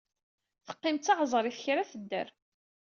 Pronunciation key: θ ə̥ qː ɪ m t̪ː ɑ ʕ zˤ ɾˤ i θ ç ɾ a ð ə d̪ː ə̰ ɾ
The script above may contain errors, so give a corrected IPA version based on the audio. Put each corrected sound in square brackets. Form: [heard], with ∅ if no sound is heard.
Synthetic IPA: θ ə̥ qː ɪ m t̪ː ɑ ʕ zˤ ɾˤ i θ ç ɾ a [θ] ə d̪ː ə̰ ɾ